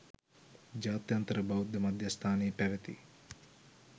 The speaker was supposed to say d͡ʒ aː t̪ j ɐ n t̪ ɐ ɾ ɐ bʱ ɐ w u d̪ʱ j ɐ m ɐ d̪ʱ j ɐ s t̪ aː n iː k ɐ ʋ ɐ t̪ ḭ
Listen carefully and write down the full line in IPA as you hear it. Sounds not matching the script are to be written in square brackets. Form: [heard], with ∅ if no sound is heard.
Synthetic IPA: d͡ʒ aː t̪ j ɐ n t̪ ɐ ɾ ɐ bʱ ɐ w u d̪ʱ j ɐ m ɐ d̪ʱ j ɐ s [t̪ʰ] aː n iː [p] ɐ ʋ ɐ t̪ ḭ